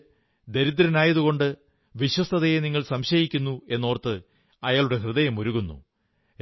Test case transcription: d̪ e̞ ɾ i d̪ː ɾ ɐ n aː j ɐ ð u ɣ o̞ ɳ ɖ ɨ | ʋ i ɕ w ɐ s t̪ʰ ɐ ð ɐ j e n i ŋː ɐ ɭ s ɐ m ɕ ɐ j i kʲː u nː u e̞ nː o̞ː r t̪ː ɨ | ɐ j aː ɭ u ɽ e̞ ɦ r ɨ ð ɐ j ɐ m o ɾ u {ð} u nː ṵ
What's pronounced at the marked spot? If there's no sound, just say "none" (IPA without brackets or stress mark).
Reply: ɣ